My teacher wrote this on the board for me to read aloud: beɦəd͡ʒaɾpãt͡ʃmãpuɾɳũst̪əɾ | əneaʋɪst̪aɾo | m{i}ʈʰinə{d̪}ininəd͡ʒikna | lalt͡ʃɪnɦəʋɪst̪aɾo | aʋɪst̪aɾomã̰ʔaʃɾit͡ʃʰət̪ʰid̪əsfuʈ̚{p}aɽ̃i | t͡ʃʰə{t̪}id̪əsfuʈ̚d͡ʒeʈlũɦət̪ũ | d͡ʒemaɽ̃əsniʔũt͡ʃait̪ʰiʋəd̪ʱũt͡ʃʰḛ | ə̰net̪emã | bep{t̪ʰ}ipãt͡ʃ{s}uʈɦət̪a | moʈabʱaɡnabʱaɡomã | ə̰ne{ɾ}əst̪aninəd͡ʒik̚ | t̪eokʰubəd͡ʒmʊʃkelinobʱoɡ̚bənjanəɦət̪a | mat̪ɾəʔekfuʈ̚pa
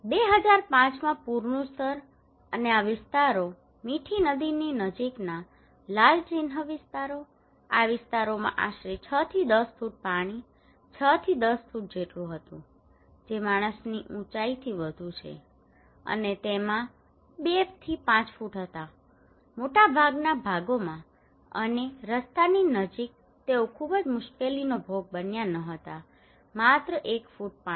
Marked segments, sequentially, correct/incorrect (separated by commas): correct, correct, correct, incorrect, correct, incorrect, correct